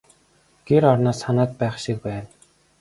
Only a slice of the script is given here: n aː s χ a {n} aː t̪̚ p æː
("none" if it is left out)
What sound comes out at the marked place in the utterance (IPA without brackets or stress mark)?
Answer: n